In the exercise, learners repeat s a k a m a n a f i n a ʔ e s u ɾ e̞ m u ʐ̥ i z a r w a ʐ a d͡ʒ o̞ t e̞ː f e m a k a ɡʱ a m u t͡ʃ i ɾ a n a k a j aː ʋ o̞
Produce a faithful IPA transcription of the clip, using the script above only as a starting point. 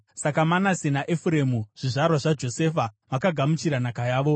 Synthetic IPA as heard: s a k a m a n a s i n a ʔ e f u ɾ e̞ m u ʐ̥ i ʐ a r w a ʐ a d͡ʒ o̞ s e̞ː f a m a k a ɡʱ a m u t͡ʃ i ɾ a n a k a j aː ʋ o̞